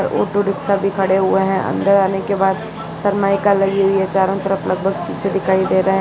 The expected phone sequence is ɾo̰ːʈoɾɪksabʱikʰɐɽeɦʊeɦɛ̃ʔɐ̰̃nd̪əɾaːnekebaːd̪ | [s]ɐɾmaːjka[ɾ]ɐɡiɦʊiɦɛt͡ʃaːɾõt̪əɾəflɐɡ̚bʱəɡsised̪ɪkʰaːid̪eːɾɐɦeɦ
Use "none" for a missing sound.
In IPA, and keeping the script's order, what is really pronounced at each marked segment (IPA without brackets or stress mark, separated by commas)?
s, l